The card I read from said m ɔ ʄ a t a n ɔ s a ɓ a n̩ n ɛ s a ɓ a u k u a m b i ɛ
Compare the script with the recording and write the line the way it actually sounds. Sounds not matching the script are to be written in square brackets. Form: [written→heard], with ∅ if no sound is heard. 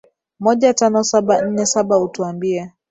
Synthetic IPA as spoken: m ɔ ʄ a t a n ɔ s a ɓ a n̩ n ɛ s a ɓ a u [k→t] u a m b i ɛ